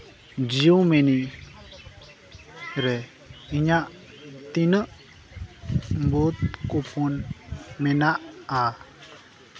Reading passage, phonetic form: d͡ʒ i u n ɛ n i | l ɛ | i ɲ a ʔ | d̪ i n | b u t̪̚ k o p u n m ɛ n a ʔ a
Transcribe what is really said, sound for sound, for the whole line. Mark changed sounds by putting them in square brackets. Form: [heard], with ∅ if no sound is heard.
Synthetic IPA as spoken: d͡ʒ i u [m] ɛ n i | [ɾ] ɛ | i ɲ a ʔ | [t̪] i n | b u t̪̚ k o p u n m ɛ n a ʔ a